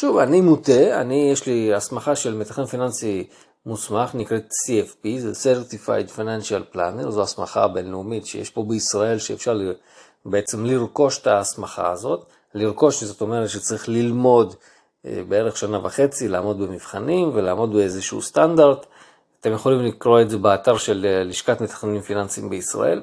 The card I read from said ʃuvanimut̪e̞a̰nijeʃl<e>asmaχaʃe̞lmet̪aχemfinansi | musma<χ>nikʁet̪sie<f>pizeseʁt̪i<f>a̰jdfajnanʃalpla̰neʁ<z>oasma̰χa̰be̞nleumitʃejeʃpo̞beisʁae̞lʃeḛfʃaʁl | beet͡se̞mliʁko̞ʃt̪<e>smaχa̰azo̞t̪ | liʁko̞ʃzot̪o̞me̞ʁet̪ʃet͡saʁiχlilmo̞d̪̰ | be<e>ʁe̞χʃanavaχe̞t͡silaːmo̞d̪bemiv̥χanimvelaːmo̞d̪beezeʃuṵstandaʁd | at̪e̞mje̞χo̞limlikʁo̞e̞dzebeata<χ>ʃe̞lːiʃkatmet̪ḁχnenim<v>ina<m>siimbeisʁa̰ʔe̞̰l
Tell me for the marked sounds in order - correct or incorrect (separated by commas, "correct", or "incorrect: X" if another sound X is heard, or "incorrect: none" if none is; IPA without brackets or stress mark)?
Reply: incorrect: i, correct, correct, correct, correct, incorrect: a, correct, incorrect: ʁ, incorrect: f, incorrect: n